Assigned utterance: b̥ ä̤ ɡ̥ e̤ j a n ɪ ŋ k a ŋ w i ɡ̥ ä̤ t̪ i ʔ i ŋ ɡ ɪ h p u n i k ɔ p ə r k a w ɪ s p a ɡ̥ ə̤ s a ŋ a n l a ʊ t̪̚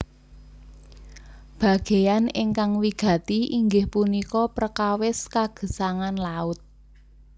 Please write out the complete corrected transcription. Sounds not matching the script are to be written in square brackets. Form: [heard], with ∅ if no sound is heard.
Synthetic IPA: b̥ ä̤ ɡ̥ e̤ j a n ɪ ŋ k a ŋ w i ɡ̥ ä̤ t̪ i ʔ i ŋ ɡ ɪ h p u n i k ɔ p ə r k a w ɪ s [k] a ɡ̥ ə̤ s a ŋ a n l a ʊ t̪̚